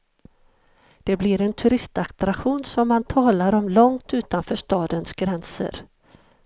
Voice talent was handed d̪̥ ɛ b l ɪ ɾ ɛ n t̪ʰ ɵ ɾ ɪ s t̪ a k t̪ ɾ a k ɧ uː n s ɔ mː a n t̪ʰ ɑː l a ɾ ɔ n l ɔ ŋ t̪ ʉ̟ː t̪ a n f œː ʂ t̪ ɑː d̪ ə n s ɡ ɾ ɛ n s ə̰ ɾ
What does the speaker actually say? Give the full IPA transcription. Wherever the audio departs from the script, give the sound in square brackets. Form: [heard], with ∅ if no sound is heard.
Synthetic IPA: d̪̥ ɛ b l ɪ ɾ ɛ n t̪ʰ ɵ ɾ ɪ s t̪ a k t̪ ɾ a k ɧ uː n s ɔ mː a n t̪ʰ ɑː l a ɾ ɔ [m] l ɔ ŋ t̪ ʉ̟ː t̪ a n f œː ʂ t̪ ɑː d̪ ə n s ɡ ɾ ɛ n s ə̰ ɾ